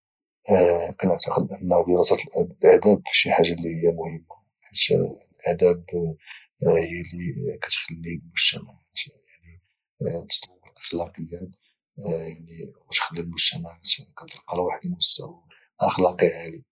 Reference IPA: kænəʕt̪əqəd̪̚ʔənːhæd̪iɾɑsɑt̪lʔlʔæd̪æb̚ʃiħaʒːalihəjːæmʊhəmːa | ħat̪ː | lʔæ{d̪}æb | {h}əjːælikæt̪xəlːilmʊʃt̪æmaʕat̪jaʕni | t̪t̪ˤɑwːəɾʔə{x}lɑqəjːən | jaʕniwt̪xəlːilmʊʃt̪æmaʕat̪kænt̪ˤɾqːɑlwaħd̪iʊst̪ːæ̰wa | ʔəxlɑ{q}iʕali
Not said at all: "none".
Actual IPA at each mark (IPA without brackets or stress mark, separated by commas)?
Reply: d̪, h, x, q